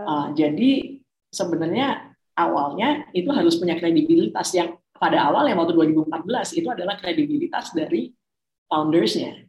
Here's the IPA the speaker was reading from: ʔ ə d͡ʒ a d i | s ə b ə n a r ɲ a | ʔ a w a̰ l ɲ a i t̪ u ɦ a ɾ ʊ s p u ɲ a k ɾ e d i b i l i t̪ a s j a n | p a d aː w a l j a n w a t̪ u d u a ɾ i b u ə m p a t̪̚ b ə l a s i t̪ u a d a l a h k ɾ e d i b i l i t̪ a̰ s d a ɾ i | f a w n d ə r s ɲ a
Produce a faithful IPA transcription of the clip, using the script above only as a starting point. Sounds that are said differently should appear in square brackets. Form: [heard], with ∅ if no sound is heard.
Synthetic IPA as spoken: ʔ ə d͡ʒ a d i | s ə b ə n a r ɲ a | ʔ a w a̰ l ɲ a i t̪ u ɦ a ɾ ʊ s p u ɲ a k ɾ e d i b i l i t̪ a s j a [ŋ] | p a d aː w a l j a [ŋ] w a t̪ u d u a ɾ i b u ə m p a t̪̚ b ə l a s i t̪ u a d a l a h k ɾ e d i b i l i t̪ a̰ s d a ɾ i | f a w n d ə r s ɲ a